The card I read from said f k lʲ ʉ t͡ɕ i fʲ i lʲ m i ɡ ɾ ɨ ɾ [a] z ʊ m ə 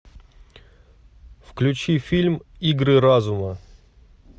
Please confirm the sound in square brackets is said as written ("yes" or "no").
yes